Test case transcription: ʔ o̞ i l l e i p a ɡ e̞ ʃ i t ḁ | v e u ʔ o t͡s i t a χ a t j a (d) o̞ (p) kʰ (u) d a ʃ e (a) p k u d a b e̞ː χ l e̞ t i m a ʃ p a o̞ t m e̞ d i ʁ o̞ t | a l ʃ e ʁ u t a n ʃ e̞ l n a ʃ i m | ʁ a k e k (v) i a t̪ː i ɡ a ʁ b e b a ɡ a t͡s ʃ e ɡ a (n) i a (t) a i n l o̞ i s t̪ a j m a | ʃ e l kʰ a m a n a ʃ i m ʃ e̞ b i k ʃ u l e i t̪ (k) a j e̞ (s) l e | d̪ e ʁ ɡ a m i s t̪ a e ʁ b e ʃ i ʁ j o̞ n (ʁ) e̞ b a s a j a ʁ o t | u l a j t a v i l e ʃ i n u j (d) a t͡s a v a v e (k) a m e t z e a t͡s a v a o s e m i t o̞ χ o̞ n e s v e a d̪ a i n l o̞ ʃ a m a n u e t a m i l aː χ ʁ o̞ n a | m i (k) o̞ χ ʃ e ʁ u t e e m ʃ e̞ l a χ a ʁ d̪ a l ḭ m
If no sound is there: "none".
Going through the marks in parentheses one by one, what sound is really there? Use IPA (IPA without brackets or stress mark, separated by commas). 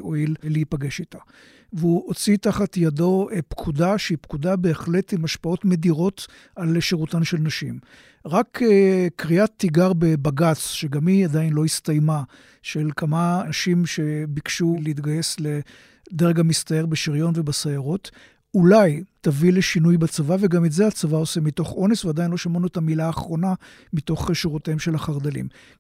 d, p, u, i, ʁ, m, d, ɡ, s, v, b, ɡ, t